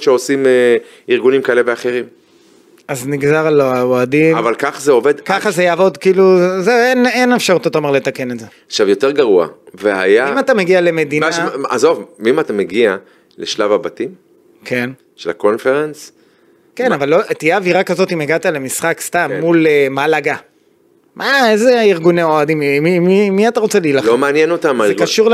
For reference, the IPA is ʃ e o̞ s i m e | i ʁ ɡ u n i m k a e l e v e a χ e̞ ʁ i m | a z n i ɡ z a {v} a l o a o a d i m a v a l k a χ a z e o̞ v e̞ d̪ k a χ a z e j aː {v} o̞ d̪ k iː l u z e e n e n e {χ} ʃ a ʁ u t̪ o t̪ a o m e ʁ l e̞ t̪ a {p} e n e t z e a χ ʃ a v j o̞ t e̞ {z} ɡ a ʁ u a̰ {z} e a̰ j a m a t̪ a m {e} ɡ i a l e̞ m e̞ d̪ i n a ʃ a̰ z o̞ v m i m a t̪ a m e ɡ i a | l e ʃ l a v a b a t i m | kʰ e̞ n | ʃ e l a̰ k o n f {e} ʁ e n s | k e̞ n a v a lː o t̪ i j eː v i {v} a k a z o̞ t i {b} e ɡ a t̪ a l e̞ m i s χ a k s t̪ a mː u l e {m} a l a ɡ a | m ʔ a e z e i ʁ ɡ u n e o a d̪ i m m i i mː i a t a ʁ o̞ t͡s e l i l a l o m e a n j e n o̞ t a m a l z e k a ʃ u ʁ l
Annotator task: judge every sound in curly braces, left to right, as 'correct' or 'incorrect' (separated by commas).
incorrect, correct, incorrect, incorrect, incorrect, incorrect, correct, correct, incorrect, incorrect, correct